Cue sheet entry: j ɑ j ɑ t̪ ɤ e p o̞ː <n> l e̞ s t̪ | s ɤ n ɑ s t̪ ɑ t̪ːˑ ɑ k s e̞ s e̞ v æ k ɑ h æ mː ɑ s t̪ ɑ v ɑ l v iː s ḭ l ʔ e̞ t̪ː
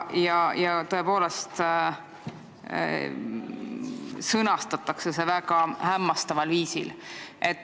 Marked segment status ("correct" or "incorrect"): incorrect